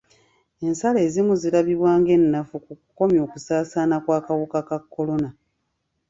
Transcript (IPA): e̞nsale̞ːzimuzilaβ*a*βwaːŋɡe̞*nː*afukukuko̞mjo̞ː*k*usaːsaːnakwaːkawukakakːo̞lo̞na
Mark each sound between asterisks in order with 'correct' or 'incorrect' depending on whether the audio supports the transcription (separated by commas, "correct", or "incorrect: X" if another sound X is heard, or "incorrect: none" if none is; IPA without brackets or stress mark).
incorrect: i, correct, correct